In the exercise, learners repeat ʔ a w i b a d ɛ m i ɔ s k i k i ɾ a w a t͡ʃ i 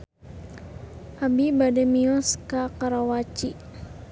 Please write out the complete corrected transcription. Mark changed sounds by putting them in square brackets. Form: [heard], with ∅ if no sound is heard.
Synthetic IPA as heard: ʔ a [b] i b a d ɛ m i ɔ s k [a] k [a] ɾ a w a t͡ʃ i